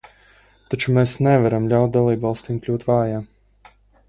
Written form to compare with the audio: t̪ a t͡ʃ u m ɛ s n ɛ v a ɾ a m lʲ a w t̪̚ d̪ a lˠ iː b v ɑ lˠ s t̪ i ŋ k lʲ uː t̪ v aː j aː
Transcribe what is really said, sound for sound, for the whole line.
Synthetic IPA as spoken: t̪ a t͡ʃ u m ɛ s n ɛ v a ɾ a m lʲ a w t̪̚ d̪ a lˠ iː b v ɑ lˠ s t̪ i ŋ k lʲ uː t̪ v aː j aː